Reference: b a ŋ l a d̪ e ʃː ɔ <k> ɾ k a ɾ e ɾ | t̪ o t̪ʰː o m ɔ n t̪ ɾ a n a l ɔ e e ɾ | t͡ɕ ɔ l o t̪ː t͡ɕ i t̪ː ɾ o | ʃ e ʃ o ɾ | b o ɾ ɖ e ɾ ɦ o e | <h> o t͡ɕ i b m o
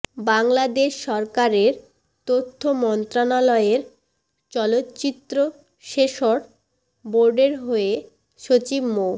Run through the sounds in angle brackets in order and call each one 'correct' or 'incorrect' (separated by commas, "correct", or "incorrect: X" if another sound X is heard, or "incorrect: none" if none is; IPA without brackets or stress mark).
incorrect: none, incorrect: ʃ